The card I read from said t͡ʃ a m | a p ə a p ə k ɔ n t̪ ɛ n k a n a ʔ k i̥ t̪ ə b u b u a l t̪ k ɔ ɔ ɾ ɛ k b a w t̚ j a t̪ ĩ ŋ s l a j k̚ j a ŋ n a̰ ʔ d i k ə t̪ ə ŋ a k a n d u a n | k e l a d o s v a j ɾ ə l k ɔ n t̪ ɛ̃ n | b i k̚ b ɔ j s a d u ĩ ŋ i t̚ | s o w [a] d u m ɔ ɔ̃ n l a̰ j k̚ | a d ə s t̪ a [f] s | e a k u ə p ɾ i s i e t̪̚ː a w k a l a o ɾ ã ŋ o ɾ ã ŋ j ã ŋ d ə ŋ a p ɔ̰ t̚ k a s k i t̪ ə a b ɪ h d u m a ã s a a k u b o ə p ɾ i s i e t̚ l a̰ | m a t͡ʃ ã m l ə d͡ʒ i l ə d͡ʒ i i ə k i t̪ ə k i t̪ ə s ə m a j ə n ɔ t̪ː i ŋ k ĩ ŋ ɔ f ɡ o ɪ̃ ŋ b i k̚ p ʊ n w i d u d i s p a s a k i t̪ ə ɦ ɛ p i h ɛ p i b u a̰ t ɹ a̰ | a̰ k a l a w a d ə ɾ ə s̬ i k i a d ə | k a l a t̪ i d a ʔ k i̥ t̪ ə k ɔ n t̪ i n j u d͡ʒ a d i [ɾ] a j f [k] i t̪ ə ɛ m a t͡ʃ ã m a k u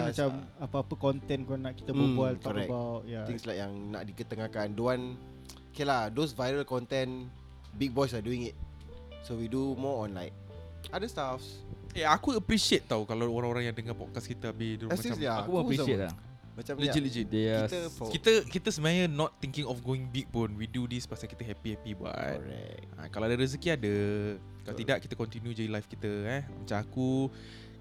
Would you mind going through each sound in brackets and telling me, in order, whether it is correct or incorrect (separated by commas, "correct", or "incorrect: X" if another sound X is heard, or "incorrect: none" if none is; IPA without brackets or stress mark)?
incorrect: i, correct, incorrect: l, correct